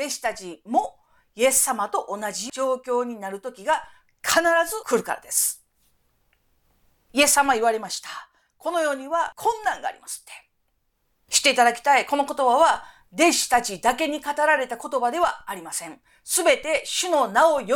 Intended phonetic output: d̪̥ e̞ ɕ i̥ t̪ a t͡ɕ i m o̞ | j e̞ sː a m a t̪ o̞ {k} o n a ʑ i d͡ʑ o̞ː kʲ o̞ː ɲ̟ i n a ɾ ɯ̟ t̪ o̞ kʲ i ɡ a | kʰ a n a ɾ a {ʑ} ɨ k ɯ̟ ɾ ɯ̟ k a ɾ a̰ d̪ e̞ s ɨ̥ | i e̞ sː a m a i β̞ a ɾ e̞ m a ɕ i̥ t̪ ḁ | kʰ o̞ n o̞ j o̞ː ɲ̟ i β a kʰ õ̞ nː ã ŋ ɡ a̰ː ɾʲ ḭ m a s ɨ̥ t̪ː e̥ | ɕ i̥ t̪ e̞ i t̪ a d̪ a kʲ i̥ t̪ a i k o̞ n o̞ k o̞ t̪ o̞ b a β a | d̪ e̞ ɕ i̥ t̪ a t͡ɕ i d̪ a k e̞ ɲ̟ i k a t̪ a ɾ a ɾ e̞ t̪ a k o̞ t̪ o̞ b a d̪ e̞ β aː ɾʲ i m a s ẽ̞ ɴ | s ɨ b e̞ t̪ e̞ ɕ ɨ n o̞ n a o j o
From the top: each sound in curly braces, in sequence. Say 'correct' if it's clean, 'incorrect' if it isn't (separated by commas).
incorrect, incorrect